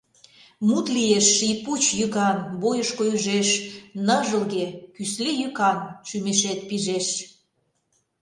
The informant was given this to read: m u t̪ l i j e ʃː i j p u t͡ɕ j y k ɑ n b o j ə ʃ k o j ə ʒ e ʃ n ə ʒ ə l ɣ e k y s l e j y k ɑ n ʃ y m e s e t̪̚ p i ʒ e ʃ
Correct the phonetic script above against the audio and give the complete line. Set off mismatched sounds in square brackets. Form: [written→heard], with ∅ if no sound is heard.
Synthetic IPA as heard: m u t̪ l i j e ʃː i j p u t͡ɕ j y k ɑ n b o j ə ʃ k o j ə ʒ e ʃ n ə ʒ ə l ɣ e k y s l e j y k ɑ n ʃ y m e [s→ʃ] e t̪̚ p i ʒ e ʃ

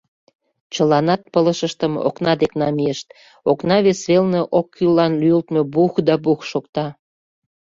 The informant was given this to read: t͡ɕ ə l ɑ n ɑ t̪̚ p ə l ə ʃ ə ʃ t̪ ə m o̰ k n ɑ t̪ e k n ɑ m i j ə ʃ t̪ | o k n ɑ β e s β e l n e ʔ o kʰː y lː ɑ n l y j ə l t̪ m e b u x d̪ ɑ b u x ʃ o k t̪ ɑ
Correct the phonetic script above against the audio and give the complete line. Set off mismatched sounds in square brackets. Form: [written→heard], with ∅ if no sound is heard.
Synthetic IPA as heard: t͡ɕ ə l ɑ n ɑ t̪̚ p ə l ə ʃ ə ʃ t̪ ə m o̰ k n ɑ [t̪→d̪] e k n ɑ m i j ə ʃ t̪ | o k n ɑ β e s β e l n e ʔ o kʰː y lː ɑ n l y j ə l t̪ m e b u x d̪ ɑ b u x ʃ o k t̪ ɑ

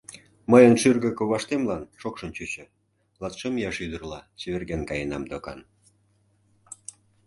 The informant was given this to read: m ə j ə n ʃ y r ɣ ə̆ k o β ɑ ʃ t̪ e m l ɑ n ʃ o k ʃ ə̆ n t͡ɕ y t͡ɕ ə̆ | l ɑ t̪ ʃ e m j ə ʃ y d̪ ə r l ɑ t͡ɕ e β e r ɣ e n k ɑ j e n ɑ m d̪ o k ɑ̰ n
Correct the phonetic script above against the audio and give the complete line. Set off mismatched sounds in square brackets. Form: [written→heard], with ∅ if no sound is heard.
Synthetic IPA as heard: m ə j ə n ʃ y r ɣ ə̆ k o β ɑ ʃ t̪ e m l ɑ n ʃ o k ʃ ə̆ n t͡ɕ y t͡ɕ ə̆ | l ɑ t̪ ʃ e m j [ə→ɑ] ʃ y d̪ ə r l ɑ t͡ɕ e β e r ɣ e n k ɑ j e n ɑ m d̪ o k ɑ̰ n

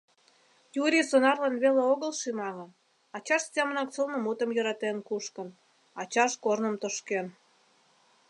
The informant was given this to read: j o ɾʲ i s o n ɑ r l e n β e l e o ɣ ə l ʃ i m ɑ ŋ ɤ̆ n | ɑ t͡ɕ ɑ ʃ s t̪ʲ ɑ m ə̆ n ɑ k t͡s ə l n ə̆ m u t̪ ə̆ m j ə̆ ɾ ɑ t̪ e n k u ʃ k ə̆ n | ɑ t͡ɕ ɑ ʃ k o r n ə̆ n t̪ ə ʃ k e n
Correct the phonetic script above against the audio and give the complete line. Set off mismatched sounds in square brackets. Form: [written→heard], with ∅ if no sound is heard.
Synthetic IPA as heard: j [o→u] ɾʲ i s o n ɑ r l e n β e l e o ɣ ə l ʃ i m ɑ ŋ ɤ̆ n | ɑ t͡ɕ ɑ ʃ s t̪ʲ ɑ m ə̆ n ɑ k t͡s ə l n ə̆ m u t̪ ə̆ m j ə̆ ɾ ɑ t̪ e n k u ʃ k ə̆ n | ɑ t͡ɕ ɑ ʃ k o r n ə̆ [n→m] t̪ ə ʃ k e n

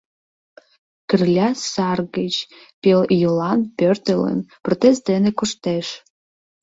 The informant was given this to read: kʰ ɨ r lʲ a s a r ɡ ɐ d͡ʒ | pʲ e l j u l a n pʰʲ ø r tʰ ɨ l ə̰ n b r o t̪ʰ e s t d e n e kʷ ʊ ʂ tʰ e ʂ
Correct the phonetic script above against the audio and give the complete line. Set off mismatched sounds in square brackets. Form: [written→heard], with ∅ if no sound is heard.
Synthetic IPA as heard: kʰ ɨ r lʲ a s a r ɡ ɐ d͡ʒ | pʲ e l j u l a n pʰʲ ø r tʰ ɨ l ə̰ n [b→p] r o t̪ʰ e s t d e n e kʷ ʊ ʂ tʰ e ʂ

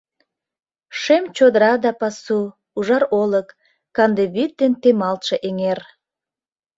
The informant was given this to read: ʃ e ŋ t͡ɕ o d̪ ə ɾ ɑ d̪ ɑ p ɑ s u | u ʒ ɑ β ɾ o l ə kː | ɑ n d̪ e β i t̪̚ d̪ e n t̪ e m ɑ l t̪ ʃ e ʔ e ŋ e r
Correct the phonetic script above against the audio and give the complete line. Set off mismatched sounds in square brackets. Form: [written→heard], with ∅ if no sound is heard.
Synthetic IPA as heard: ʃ e [ŋ→m] t͡ɕ o d̪ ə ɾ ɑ d̪ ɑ p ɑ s u | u ʒ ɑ [β→∅] ɾ o l ə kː | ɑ n d̪ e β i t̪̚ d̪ e n t̪ e m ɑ l t̪ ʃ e ʔ e ŋ e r

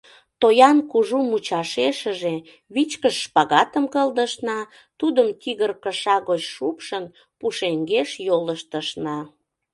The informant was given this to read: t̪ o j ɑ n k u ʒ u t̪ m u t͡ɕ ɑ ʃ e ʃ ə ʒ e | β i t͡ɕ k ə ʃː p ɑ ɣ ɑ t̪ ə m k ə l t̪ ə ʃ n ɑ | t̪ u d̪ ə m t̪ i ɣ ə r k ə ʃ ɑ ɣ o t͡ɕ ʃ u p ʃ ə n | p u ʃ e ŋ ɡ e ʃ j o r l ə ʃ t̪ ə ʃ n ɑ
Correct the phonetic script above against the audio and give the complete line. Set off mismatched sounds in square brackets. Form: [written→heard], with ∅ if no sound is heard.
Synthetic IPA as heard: t̪ o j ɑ n k u ʒ u [t̪→∅] m u t͡ɕ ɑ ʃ e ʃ ə ʒ e | β i t͡ɕ k ə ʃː p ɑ ɣ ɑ t̪ ə m k ə l [t̪→d̪] ə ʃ n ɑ | t̪ u d̪ ə m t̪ i ɣ ə r k ə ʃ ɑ ɣ o t͡ɕ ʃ u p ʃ ə n | p u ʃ e ŋ ɡ e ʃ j o [r→∅] l ə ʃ t̪ ə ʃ n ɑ

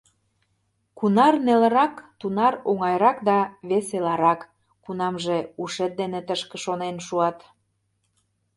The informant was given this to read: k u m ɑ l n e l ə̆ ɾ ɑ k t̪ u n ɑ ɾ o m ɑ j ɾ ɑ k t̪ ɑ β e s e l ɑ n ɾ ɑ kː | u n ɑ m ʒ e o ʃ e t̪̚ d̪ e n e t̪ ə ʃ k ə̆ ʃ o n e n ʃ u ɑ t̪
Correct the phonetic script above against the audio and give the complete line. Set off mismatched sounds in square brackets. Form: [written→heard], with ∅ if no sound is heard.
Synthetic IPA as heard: k u [m→n] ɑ [l→r] n e l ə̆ ɾ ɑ k t̪ u n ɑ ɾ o [m→ŋ] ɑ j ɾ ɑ k [t̪→d̪] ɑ β e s e l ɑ [n→∅] ɾ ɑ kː | u n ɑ m ʒ e [o→u] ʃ e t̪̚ d̪ e n e t̪ ə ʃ k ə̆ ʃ o n e n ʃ u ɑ t̪

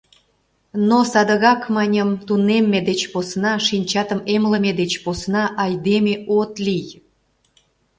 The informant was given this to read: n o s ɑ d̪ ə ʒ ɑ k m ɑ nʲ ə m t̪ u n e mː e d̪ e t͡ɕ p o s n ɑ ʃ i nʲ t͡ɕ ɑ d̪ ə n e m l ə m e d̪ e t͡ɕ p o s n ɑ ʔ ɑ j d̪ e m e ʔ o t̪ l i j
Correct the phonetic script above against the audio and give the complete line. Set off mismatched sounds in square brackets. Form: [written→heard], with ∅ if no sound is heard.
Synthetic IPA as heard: n o s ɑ d̪ ə [ʒ→ɣ] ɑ k m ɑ nʲ ə m t̪ u n e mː e d̪ e t͡ɕ p o s n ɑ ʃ i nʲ t͡ɕ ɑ [d̪→t̪] ə [n→m] e m l ə m e d̪ e t͡ɕ p o s n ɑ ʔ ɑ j d̪ e m e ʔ o t̪ l i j

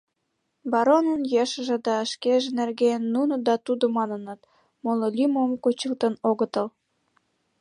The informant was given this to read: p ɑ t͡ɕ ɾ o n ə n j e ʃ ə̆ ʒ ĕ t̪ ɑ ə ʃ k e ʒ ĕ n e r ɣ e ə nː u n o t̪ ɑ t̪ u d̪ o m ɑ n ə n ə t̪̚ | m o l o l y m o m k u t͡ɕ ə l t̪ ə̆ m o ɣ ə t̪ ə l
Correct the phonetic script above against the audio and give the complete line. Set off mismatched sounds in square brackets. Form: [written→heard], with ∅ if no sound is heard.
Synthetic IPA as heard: [p→b] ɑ [t͡ɕ→∅] ɾ o n ə n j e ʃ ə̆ ʒ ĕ [t̪→d̪] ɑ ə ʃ k e ʒ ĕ n e r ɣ e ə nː u n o [t̪→d̪] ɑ t̪ u d̪ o m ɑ n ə n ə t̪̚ | m o l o l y m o m k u t͡ɕ ə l t̪ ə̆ [m→n] o ɣ ə t̪ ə l

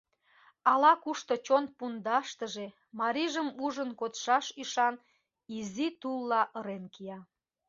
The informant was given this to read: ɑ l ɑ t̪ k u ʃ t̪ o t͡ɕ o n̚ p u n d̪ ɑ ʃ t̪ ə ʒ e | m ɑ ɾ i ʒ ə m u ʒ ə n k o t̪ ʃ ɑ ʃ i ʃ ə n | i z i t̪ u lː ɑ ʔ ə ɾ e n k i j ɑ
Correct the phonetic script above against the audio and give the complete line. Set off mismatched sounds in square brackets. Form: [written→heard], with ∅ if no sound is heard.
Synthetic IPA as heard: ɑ l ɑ [t̪→∅] k u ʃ t̪ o t͡ɕ o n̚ p u n d̪ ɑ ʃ t̪ ə ʒ e | m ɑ ɾ i ʒ ə m u ʒ ə n k o t̪ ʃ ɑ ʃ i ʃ [ə→ɑ] n | i z i t̪ u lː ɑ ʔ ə ɾ e n k i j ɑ

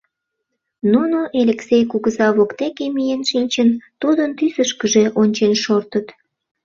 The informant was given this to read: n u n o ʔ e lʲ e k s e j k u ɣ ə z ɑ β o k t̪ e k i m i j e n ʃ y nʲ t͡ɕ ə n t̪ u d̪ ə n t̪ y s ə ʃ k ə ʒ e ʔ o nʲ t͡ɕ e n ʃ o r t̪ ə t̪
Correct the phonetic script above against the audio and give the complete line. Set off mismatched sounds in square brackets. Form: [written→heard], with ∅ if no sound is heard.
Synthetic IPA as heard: n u n o ʔ e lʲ e k s e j k u ɣ ə z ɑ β o k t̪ e k [i→e] m i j e n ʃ [y→i] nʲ t͡ɕ ə n t̪ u d̪ ə n t̪ y s ə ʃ k ə ʒ e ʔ o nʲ t͡ɕ e n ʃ o r t̪ ə t̪

